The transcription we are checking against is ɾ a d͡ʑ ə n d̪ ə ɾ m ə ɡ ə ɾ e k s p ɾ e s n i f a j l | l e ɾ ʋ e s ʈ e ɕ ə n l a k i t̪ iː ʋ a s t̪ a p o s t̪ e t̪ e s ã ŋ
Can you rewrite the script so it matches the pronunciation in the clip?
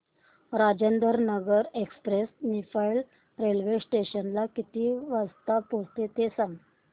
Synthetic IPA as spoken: ɾ a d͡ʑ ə n d̪ ə ɾ n ə ɡ ə ɾ e k s p ɾ e s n i f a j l | ɾ e l ʋ e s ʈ e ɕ ə n l a k i t̪ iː ʋ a s t̪ a p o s t̪ e t̪ e s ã ŋ